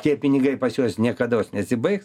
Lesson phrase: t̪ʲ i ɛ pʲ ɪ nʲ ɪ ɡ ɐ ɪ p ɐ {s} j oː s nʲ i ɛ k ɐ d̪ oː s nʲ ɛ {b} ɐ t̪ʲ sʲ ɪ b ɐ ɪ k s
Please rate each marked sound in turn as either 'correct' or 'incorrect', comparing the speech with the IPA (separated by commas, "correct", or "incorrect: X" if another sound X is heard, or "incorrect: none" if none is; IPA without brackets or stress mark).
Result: correct, incorrect: none